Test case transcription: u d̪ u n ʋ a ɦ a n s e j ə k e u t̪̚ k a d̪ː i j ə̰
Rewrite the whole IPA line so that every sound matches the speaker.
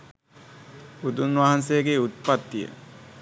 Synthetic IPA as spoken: u d̪ u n ʋ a ɦ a n s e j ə ɡ e u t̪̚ p a t̪ː i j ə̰